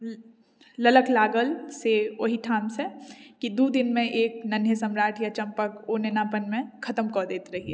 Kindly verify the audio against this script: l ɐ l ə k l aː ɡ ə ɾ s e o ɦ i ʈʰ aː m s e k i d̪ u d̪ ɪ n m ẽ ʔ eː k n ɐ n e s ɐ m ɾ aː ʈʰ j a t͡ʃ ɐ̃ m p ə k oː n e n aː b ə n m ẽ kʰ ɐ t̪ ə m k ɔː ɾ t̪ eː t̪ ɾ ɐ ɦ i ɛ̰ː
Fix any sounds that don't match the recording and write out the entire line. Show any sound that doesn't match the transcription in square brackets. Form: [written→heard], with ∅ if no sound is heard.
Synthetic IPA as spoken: l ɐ l ə k l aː ɡ ə [ɾ→l] s e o ɦ i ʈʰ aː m s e k i d̪ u d̪ ɪ n m ẽ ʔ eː k n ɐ n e s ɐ m ɾ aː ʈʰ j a t͡ʃ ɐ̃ m p ə k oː n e n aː [b→p] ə n m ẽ kʰ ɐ t̪ ə m k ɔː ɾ [t̪→d̪] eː t̪ ɾ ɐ ɦ i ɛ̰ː